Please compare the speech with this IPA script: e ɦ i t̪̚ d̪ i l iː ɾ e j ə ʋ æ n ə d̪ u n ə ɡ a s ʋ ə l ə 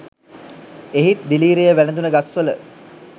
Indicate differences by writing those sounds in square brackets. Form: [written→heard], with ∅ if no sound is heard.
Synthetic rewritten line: e ɦ i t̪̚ d̪ i l iː ɾ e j ə ʋ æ n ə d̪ u n ə ɡ a s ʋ ə l ə